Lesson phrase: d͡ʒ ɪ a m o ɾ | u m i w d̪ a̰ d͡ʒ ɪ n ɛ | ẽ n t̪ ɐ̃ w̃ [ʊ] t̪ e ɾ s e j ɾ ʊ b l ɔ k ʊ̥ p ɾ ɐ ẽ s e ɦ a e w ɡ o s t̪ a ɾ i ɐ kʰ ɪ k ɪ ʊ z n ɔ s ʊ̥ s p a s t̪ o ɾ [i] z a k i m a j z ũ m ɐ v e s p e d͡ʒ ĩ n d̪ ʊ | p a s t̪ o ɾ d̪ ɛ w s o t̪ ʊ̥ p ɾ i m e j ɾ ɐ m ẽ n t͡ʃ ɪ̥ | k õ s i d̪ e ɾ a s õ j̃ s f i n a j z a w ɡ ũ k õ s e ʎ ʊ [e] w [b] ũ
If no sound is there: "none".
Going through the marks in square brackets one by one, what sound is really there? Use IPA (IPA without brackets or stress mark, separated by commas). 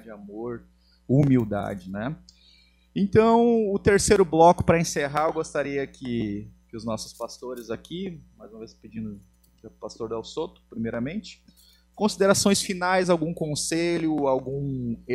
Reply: ʊ, ɪ, a, ɡ